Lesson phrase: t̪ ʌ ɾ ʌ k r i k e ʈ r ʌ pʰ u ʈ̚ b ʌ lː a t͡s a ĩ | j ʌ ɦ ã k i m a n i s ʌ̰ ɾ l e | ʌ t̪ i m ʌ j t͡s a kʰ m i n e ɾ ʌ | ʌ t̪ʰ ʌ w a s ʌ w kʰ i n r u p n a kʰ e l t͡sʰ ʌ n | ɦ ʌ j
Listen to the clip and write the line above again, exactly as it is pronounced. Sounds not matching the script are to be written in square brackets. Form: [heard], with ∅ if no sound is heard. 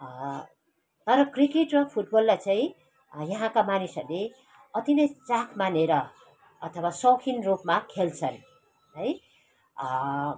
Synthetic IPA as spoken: t̪ ʌ ɾ ʌ k r i k e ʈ r ʌ pʰ u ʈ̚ b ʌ lː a t͡s a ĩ | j ʌ ɦ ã k [a] m a n i s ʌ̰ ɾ l e | ʌ t̪ i [n] ʌ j t͡s a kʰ m [a] n e ɾ ʌ | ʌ t̪ʰ ʌ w a s ʌ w kʰ i n r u p [m] a kʰ e l t͡sʰ ʌ n | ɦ ʌ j